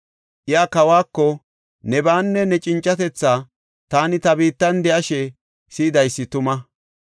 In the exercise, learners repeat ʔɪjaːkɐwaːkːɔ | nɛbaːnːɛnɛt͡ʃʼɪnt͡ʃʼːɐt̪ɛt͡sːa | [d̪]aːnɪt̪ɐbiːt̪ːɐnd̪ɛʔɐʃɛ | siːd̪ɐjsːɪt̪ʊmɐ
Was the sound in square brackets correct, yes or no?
no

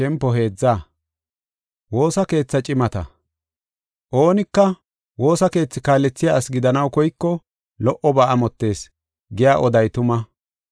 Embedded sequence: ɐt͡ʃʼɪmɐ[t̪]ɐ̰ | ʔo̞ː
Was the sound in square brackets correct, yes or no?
yes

